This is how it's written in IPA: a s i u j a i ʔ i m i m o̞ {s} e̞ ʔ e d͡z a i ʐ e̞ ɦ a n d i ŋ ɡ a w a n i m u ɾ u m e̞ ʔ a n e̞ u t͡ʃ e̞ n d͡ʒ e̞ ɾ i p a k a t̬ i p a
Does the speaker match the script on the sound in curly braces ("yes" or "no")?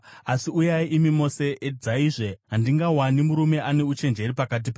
yes